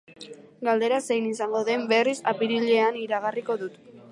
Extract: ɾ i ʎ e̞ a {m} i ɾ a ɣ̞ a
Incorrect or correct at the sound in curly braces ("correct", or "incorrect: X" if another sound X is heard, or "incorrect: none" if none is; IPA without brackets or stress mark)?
incorrect: n